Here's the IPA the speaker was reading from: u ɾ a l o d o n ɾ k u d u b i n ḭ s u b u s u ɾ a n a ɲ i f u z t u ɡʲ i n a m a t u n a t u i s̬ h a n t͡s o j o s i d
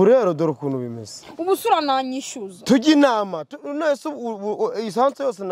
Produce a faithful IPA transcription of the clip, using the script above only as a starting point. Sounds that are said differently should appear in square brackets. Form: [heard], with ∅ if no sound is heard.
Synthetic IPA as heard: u ɾ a [ɾ] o d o [∅] ɾ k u [n] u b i [m] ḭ s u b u s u ɾ a n a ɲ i [ʃ] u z t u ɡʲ i n a m a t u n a [s] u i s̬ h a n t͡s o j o s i [n]